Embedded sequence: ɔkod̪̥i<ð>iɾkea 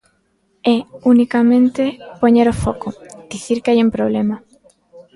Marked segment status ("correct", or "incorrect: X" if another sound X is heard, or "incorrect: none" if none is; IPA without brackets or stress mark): incorrect: θ